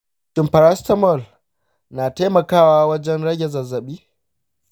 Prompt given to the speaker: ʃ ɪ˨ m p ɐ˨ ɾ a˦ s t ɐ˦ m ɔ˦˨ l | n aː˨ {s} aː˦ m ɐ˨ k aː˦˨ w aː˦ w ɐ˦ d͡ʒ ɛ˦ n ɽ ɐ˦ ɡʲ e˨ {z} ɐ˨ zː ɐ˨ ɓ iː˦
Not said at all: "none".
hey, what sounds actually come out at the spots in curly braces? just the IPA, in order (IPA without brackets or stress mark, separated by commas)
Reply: t, z